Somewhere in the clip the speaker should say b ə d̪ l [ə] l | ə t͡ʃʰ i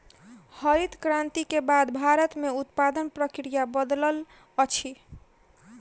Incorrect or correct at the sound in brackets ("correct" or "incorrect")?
correct